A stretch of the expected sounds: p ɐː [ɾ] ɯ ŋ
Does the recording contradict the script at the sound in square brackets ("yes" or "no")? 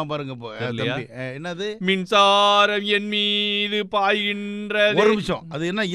no